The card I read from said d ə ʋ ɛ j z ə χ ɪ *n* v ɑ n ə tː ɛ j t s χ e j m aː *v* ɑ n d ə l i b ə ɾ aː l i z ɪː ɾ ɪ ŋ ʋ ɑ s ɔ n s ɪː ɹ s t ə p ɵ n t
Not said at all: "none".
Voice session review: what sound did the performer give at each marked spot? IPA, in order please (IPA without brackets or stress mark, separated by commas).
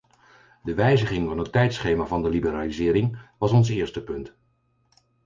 ŋ, v